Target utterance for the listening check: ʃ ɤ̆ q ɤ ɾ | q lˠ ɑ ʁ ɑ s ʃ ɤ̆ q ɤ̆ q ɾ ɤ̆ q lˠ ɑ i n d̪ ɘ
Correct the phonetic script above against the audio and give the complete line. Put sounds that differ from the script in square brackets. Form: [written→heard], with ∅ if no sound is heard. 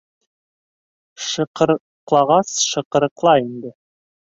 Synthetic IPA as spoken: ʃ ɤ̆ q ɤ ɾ | q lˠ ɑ ʁ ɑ s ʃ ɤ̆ q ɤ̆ [q→∅] ɾ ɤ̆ q lˠ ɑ i n d̪ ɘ